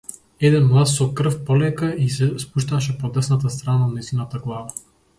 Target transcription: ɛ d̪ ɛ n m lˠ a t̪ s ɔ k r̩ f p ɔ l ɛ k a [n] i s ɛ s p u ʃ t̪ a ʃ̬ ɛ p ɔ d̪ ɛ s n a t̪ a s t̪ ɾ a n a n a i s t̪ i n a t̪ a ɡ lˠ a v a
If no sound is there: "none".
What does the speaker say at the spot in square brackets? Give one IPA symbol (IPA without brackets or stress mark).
none